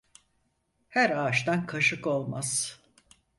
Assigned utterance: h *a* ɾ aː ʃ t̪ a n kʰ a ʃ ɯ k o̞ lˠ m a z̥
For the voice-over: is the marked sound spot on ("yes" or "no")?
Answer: no